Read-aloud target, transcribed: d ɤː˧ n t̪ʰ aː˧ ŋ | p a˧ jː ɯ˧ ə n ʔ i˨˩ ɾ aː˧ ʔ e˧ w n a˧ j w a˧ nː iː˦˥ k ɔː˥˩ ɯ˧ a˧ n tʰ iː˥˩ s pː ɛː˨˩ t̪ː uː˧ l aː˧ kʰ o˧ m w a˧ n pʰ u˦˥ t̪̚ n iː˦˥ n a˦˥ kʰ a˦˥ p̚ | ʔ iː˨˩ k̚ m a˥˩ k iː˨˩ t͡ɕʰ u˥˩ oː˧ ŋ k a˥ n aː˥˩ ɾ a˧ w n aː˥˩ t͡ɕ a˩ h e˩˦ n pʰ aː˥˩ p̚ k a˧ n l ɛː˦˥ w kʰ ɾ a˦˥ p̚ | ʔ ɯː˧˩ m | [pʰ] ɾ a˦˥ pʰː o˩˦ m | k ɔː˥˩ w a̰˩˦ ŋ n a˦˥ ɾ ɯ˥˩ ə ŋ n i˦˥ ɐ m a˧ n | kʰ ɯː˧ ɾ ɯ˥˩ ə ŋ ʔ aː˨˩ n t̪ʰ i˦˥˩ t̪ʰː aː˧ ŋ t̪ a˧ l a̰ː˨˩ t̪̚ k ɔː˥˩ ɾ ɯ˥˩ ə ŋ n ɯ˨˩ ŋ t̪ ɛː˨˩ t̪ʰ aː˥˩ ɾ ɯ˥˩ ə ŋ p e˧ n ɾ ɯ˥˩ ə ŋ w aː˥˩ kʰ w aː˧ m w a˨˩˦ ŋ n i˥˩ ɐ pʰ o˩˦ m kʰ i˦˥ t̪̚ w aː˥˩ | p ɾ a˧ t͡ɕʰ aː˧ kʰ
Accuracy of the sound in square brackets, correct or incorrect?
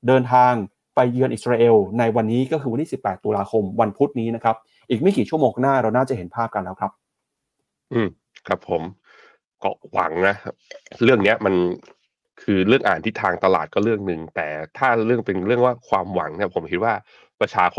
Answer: incorrect